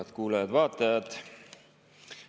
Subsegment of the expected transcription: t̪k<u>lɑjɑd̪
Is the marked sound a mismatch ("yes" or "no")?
yes